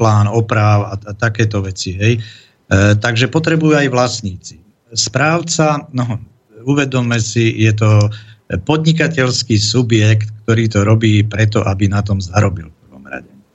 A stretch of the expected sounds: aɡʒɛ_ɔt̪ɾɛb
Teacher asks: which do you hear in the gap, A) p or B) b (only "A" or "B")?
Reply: A